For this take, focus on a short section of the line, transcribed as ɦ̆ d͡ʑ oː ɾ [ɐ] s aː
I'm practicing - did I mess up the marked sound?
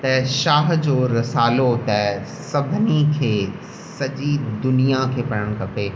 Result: no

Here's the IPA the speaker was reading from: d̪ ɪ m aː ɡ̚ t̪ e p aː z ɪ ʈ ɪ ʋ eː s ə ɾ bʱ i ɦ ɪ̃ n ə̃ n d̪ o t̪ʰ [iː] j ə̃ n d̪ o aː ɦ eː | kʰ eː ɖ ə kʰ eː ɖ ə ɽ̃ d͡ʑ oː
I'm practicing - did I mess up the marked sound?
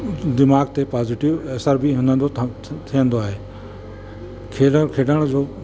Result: yes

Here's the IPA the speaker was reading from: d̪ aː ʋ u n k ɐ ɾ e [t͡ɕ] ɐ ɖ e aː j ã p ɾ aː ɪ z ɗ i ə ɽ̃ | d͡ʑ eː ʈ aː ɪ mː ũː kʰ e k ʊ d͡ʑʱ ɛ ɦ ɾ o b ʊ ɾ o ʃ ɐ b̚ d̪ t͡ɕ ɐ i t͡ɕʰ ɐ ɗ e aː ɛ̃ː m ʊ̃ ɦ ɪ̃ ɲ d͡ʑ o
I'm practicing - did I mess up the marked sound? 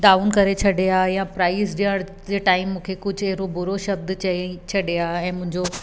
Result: yes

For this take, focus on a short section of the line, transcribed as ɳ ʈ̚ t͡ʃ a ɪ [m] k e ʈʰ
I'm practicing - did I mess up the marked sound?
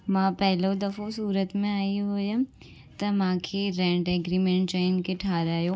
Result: yes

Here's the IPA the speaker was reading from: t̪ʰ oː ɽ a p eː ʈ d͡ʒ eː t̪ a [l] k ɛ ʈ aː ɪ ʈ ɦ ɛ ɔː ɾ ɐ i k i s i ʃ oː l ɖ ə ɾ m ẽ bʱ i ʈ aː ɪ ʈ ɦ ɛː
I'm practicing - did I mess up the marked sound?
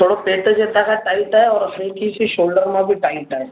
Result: yes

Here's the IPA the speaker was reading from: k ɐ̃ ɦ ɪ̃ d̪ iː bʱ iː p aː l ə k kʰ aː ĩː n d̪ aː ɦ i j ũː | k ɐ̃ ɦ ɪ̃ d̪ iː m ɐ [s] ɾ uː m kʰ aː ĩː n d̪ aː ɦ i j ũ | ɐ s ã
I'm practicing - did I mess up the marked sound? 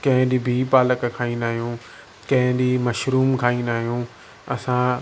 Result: yes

